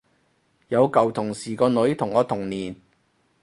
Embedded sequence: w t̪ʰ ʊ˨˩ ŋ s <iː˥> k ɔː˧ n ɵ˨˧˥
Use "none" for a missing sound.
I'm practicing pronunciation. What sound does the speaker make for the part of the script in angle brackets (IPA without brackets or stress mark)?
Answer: iː˨˩